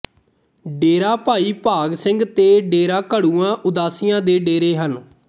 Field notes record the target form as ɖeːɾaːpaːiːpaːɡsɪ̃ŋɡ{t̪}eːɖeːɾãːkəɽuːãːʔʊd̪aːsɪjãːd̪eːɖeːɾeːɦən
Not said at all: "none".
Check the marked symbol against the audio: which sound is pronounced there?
t̪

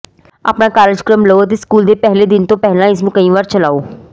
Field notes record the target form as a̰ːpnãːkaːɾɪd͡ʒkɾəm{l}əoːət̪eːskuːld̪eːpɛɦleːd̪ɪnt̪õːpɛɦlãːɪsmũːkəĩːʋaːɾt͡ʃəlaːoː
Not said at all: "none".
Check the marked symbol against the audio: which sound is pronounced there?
l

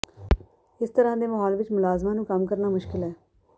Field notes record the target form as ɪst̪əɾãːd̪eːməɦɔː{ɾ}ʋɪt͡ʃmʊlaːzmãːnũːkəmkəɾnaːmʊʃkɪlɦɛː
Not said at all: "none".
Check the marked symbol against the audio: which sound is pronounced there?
l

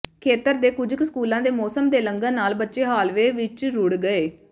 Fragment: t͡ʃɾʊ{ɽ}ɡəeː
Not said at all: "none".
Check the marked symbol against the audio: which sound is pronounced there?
ɽ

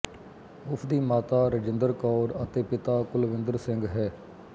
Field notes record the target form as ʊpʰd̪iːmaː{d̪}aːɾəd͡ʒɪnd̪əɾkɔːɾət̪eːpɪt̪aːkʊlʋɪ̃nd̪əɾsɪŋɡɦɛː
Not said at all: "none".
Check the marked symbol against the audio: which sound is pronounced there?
t̪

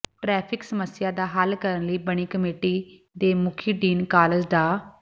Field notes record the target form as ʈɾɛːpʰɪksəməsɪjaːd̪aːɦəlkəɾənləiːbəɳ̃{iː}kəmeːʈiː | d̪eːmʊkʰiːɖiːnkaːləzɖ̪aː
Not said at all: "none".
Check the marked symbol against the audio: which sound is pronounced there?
iː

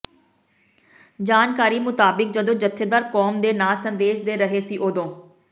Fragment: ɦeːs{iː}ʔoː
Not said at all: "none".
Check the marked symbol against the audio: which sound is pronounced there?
iː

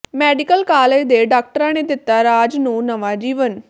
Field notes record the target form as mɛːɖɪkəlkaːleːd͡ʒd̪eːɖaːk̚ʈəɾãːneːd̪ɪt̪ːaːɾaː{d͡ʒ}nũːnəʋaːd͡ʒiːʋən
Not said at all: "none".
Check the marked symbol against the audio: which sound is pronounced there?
d͡ʒ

